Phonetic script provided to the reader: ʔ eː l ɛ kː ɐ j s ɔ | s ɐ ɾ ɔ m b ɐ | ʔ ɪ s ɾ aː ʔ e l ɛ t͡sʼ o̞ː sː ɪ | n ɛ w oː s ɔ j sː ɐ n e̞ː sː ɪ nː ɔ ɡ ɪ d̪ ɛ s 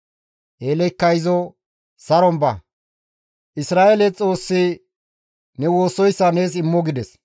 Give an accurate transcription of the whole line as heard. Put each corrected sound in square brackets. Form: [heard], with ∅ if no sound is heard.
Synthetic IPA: ʔ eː l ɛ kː ɐ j [z] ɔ | s ɐ ɾ ɔ m b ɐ | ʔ ɪ s ɾ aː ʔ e l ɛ t͡sʼ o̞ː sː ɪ | n ɛ w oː s ɔ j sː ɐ n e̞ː [s] ɪ [mː] ɔ ɡ ɪ d̪ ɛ s